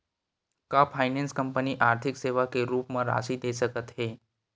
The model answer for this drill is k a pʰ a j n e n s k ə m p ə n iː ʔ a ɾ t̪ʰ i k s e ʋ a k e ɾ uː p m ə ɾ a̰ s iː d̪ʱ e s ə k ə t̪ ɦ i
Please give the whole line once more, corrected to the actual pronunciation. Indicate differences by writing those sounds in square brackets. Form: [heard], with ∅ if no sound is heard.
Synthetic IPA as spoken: k a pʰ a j n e n s k ə m p ə n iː ʔ a ɾ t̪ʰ i k s e ʋ a k e ɾ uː p m ə ɾ a̰ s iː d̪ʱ e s ə k ə t̪ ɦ [e]

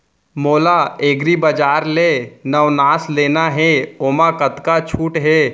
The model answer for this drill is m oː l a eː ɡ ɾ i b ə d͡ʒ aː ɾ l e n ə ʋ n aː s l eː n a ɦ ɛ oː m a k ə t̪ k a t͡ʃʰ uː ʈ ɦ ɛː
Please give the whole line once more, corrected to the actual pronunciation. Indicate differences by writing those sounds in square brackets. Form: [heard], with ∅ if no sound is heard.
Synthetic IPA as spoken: m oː l a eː ɡ ɾ i b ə d͡ʒ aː ɾ l e n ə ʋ n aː s l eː n a ɦ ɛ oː m a k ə t̪ k a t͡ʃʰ uː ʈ ɦ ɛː

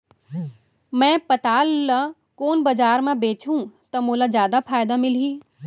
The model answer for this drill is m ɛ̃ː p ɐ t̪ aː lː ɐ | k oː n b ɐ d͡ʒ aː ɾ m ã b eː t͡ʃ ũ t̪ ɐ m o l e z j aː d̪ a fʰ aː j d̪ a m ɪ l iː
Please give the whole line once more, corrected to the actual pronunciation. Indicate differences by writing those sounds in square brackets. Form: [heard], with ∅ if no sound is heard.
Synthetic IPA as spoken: m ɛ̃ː p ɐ t̪ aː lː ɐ | k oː n b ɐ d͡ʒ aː ɾ m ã b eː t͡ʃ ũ t̪ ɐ m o l [a] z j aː d̪ a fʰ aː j d̪ a m ɪ l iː

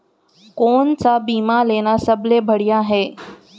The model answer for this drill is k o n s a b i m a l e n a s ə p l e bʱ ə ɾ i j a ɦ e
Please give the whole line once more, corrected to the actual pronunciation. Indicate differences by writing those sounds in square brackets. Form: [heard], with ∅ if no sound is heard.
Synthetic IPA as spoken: k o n [t͡s] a b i m a l e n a s ə [b] l e bʱ ə [ɽ] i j a ɦ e

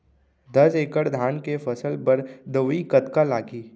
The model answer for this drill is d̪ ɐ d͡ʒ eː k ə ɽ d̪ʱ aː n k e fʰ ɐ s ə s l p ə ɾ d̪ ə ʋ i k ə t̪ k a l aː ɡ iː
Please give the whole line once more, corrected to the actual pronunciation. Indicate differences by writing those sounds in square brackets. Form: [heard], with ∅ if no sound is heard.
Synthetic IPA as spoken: d̪ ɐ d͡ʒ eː k ə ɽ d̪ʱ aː n k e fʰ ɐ s ə [∅] l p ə ɾ d̪ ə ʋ i k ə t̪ k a l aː ɡ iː

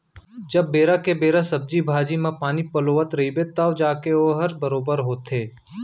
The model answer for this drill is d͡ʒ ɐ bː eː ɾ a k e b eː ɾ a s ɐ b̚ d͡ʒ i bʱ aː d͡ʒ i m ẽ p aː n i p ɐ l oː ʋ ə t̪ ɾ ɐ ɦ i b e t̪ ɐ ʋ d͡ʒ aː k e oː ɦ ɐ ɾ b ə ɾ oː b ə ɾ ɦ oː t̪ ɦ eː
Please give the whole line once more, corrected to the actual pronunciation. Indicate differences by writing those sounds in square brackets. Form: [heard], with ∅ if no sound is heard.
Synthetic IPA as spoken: d͡ʒ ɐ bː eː ɾ a k e b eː ɾ a s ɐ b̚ d͡ʒ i bʱ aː d͡ʒ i m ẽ p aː n i p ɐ l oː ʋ ə t̪ ɾ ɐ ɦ i b e t̪ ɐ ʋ d͡ʒ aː k e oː ɦ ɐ ɾ b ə ɾ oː b ə ɾ ɦ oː t̪ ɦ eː

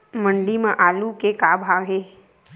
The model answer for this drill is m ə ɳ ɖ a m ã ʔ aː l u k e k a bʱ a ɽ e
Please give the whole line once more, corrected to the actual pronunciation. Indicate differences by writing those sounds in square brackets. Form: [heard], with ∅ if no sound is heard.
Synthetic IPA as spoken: m ə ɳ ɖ [i] m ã ʔ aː l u k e k a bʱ a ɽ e

